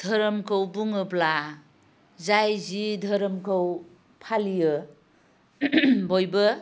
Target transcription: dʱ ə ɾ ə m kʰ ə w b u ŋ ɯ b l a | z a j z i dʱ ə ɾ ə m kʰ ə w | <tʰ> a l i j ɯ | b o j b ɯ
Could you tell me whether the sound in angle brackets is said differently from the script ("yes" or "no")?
yes